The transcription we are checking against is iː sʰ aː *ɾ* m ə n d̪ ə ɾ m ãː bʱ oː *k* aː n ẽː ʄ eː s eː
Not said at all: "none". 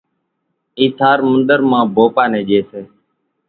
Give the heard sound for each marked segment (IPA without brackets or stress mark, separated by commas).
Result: ɾ, p